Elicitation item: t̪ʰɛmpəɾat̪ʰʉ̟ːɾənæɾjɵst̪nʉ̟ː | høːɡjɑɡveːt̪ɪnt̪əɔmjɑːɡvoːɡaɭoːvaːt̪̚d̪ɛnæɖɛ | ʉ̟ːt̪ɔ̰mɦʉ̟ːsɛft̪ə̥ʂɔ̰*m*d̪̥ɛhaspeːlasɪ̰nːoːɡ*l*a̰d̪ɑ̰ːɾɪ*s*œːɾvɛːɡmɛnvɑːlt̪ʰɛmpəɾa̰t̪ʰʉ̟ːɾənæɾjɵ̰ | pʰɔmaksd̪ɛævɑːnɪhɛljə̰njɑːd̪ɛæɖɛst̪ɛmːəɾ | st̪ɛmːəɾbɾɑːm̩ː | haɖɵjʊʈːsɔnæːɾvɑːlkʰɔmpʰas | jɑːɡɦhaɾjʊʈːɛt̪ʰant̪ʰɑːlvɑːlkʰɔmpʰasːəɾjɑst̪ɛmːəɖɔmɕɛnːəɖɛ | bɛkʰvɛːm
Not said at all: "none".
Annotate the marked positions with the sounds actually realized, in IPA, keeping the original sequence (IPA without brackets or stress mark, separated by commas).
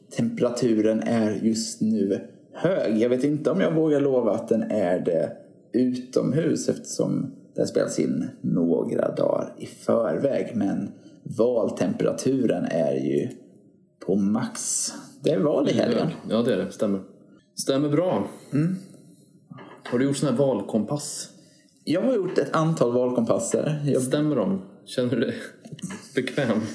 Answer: m, ɾ, f